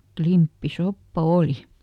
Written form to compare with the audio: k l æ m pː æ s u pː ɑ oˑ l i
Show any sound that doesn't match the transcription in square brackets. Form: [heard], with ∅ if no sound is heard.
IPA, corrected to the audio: k l [i] m pː [i] s [o] pː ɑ oˑ l i

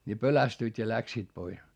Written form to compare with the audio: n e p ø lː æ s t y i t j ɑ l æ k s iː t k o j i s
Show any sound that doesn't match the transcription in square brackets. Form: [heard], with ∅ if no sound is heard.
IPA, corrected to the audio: n [i] p ø [l] æ s t y i t j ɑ l æ k s iː t [p] o [∅] i s

